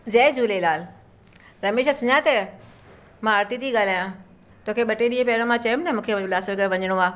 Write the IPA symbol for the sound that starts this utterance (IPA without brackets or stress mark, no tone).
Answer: z